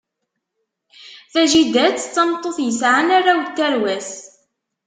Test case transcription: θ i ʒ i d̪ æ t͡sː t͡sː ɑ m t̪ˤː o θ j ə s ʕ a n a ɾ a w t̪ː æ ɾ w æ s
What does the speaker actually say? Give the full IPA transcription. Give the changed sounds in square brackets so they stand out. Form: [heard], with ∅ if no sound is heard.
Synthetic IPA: θ [æ] ʒ i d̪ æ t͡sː t͡sː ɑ m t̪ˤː o θ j ə s ʕ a n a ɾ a w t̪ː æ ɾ w æ s